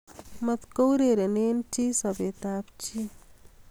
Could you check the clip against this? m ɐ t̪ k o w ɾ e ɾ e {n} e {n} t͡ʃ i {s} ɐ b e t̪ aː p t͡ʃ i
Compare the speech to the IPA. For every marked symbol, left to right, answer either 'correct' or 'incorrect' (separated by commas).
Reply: correct, correct, correct